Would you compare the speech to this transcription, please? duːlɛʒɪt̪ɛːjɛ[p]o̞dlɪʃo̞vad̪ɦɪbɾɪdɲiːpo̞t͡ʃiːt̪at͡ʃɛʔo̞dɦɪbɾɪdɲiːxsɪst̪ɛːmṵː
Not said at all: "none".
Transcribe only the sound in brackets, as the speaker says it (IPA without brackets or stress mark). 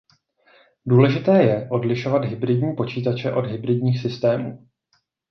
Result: ʔ